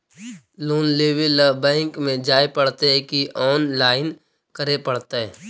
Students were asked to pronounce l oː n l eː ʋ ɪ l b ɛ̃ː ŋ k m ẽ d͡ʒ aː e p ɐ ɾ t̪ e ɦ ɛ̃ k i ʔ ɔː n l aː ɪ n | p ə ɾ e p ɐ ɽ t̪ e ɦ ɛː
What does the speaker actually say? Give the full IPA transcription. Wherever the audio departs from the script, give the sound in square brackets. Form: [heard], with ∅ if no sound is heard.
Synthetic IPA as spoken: l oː n l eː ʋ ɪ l b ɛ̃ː ŋ k m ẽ d͡ʒ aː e p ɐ [ɽ] t̪ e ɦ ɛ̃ k i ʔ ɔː n l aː ɪ n | [k] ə ɾ e p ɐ ɽ t̪ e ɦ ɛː